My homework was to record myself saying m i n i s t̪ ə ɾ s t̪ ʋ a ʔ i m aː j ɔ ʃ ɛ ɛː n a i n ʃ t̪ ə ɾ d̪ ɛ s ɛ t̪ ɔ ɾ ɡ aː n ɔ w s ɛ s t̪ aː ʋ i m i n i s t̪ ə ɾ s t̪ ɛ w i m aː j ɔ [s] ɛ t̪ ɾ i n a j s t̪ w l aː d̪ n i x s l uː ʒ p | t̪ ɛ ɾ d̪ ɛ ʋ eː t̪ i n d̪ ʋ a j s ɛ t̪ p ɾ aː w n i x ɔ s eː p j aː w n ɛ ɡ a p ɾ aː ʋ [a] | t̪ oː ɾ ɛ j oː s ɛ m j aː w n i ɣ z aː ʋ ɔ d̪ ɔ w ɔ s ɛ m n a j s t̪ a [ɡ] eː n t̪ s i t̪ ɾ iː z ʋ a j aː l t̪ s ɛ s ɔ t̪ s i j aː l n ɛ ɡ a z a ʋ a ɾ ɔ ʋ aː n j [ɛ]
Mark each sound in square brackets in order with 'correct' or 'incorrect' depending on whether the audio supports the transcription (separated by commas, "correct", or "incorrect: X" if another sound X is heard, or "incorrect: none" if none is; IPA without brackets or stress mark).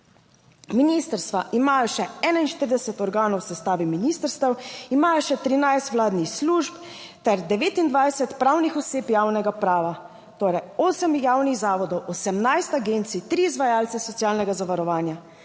incorrect: ʃ, correct, correct, incorrect: a